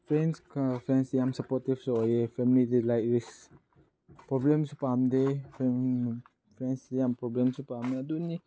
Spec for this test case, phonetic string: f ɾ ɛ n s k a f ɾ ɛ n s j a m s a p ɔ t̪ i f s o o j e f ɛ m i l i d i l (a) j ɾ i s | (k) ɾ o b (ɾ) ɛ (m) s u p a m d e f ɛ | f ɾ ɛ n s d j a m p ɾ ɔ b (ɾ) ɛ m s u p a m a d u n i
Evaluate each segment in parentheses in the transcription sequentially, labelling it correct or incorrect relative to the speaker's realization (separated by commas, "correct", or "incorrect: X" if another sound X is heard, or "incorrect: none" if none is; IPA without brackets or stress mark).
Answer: correct, incorrect: p, incorrect: l, correct, incorrect: l